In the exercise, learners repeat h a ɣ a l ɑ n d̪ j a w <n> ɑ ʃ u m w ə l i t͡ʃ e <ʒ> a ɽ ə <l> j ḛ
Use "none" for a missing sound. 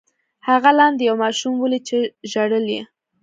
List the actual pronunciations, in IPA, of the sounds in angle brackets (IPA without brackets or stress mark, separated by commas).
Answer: m, ʒ, l